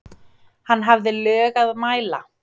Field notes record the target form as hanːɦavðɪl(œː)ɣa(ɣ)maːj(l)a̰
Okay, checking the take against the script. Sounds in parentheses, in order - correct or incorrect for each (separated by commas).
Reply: correct, incorrect, correct